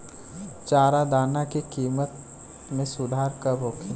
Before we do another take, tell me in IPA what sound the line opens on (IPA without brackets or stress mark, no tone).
t͡ʃ